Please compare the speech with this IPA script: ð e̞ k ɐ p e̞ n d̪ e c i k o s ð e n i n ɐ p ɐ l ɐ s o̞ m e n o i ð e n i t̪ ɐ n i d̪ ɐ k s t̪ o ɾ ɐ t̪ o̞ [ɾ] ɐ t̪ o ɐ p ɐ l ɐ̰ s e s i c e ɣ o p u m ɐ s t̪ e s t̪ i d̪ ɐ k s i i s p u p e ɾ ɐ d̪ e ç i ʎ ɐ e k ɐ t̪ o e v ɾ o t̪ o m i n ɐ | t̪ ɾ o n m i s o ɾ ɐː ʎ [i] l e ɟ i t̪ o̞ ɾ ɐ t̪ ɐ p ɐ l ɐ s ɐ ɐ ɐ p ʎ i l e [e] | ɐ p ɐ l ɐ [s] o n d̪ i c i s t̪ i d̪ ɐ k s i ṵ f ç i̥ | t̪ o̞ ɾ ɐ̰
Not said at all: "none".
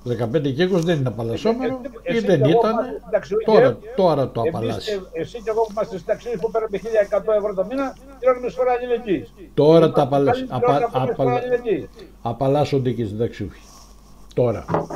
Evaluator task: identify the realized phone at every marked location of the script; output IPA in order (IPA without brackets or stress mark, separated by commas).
ɾ, i, i, s